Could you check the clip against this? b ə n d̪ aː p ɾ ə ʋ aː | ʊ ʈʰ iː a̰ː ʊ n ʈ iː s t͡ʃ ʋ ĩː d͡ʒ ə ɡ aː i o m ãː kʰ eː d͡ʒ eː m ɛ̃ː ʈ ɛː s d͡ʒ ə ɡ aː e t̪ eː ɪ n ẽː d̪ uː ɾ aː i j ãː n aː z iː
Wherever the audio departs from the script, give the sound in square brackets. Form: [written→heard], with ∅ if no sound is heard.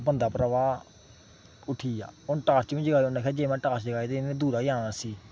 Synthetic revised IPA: b ə n d̪ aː p ɾ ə ʋ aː | ʊ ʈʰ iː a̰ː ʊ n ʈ [iː→aː] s t͡ʃ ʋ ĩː d͡ʒ ə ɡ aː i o [m→n] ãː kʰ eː d͡ʒ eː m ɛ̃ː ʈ [ɛː→aː] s d͡ʒ ə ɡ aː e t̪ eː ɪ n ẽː d̪ uː ɾ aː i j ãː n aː [z→s] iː